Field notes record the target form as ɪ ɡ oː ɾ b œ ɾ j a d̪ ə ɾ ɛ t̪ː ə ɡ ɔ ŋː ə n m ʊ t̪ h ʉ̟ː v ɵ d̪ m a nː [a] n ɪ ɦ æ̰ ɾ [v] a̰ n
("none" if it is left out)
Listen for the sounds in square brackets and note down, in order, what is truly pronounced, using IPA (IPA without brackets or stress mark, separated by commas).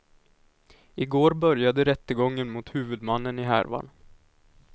ə, v